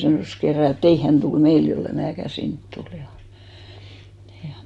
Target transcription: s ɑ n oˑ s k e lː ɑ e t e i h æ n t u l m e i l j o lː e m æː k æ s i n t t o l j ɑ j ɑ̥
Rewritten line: s ɑ n oˑ s k e rː ɑ e t e i h æ n t u l m e i l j o lː e m æː k æ s i n t t u l j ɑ j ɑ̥